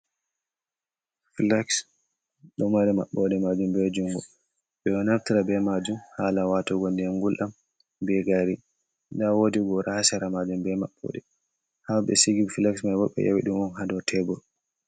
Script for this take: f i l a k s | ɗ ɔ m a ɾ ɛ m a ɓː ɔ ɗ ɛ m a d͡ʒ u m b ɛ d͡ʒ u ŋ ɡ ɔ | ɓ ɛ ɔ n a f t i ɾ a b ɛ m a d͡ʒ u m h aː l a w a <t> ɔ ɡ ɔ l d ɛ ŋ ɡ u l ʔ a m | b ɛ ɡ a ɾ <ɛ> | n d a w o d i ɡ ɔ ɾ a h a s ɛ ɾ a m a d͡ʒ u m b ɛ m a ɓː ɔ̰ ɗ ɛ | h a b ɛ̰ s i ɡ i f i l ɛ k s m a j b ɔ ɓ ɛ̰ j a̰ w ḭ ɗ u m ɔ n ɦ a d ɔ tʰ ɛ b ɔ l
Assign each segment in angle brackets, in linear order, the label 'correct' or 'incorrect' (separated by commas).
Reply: correct, incorrect